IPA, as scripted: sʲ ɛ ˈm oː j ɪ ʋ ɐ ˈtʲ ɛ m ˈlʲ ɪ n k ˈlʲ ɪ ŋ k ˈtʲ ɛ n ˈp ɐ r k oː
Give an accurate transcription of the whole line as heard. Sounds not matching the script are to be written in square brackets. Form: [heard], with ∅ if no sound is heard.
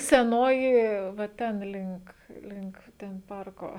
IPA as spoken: sʲ ɛ [ˈn] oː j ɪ ʋ ɐ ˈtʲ ɛ [n] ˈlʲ ɪ [ŋ] k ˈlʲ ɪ ŋ k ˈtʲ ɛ n ˈp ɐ r k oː